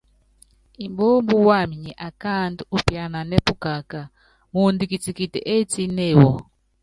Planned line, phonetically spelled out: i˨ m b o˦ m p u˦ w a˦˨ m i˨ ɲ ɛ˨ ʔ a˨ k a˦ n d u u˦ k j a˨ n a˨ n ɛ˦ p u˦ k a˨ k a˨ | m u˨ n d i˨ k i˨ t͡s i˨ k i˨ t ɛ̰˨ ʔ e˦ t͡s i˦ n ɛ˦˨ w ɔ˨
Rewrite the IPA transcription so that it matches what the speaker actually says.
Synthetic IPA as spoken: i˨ m b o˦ m b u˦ w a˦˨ m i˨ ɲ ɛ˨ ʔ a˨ k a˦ n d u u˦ p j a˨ n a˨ n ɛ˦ p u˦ k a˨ k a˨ | m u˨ n d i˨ k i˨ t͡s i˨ k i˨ t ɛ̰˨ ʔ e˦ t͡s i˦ n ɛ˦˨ w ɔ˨